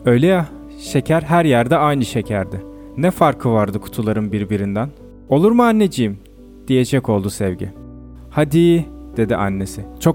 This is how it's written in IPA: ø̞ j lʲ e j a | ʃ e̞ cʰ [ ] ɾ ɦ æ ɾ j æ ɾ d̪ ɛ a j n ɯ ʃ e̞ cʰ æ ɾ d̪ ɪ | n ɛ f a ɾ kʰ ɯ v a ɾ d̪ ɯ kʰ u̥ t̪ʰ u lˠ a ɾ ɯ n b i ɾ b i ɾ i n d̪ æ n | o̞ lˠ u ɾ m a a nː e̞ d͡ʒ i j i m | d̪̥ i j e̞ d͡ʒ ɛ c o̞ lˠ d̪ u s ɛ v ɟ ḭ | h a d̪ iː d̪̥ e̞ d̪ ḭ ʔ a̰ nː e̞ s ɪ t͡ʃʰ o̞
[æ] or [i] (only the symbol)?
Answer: æ